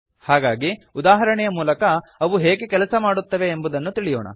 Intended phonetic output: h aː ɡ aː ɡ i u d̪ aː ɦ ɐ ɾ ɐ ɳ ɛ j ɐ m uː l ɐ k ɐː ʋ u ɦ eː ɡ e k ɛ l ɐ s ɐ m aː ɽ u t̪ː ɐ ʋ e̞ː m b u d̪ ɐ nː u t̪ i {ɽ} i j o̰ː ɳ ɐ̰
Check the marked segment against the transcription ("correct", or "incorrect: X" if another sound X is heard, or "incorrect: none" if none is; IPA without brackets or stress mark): incorrect: ɭ